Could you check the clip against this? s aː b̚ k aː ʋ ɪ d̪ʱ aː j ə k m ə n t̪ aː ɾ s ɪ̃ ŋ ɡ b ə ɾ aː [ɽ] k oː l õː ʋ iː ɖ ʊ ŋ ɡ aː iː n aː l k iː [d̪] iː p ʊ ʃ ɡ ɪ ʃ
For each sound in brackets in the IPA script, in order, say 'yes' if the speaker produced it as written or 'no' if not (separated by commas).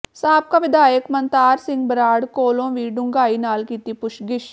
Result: yes, no